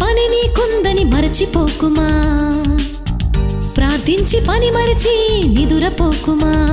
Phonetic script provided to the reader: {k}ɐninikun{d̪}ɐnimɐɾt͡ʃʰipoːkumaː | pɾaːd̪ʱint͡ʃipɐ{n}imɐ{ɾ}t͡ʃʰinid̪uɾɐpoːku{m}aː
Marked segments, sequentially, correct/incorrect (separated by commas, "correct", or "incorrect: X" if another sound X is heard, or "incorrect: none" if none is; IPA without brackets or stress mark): incorrect: p, correct, correct, correct, correct